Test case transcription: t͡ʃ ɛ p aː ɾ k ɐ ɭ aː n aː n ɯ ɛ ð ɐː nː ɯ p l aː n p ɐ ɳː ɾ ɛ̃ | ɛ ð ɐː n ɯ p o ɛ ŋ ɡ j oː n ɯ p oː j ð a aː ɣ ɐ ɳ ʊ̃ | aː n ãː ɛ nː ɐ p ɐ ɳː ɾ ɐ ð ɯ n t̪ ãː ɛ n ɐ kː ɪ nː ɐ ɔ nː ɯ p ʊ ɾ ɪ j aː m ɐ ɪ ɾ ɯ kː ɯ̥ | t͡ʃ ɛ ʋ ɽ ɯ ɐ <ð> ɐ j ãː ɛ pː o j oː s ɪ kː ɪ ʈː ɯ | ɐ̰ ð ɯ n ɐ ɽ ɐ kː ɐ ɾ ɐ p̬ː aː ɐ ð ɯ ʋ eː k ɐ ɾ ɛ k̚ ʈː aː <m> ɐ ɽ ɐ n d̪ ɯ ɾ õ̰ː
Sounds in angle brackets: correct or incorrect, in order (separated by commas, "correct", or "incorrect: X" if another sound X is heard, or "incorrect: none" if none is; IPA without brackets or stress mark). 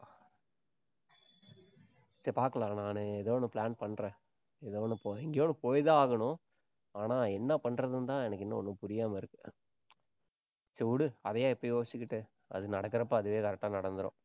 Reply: correct, incorrect: n